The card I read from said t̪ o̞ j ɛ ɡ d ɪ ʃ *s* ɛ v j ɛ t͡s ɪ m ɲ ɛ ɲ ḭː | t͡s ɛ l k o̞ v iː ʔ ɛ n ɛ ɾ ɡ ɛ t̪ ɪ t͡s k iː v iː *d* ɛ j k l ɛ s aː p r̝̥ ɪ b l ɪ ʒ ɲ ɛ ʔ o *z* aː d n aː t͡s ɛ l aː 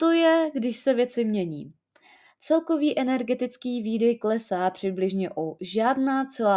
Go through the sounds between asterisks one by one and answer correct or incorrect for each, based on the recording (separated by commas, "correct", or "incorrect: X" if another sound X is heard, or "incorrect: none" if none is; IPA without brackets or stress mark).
correct, correct, incorrect: ʒ